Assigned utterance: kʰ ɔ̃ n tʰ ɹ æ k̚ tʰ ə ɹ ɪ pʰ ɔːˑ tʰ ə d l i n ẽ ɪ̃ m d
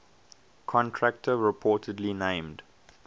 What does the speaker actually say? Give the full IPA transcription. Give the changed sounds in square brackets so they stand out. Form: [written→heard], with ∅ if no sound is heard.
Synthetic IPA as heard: kʰ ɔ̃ n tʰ ɹ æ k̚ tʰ ə ɹ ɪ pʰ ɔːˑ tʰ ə d l i n ẽ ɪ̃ m d